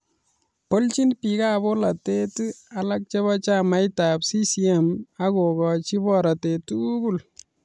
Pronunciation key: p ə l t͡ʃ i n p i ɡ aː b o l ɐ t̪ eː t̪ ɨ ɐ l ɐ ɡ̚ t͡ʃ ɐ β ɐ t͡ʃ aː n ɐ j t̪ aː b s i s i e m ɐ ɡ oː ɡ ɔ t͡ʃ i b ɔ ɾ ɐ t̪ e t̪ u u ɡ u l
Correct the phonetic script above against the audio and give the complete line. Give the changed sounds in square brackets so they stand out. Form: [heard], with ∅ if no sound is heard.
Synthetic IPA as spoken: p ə l t͡ʃ i n p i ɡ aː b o l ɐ t̪ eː t̪ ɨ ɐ l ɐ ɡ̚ t͡ʃ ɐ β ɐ t͡ʃ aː [m] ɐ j t̪ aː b s i s i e m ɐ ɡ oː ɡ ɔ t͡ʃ i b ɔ ɾ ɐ t̪ e t̪ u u ɡ u l